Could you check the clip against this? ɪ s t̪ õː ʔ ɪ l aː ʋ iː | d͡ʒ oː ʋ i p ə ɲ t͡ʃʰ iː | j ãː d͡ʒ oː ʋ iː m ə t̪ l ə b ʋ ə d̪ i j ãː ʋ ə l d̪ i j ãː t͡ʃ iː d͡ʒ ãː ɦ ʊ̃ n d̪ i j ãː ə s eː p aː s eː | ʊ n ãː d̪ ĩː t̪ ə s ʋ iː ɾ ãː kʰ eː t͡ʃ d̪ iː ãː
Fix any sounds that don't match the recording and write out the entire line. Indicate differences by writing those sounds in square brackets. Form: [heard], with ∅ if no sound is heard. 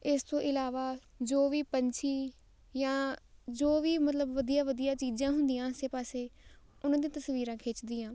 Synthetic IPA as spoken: ɪ s t̪ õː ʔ ɪ l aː ʋ [aː] | d͡ʒ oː ʋ [iː] p ə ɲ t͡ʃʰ iː | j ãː d͡ʒ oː ʋ iː m ə t̪ l ə b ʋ ə d̪ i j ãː ʋ ə [∅] d̪ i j [aː] t͡ʃ iː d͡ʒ ãː ɦ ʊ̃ n d̪ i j ãː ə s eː p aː s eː | ʊ n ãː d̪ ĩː t̪ ə s ʋ iː ɾ ãː kʰ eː t͡ʃ d̪ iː ãː